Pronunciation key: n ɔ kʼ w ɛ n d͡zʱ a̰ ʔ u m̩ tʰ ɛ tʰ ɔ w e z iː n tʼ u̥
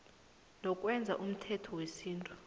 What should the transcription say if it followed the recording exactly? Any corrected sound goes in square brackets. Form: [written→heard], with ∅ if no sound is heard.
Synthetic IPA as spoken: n ɔ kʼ w ɛ n d͡zʱ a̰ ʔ u m̩ tʰ ɛ tʰ ɔ w e [z→s] iː n tʼ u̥